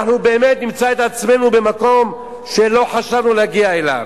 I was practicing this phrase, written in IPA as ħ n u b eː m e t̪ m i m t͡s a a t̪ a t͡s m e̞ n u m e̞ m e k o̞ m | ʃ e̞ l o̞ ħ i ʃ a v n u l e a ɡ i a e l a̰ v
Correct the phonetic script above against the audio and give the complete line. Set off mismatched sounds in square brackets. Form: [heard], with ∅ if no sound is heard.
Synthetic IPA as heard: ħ n u b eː m e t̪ [n] i m t͡s a [e] t̪ a t͡s m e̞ n u [b] e̞ m [a] k o̞ m | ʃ e̞ l o̞ ħ [a] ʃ a v n u l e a ɡ i a e l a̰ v